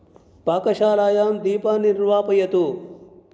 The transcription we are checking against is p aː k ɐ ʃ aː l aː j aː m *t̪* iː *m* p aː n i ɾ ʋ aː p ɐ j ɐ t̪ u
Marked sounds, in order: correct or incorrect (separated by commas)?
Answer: incorrect, incorrect